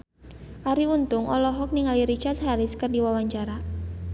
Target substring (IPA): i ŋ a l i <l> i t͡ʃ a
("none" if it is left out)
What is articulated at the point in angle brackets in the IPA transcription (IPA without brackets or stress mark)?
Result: ɾ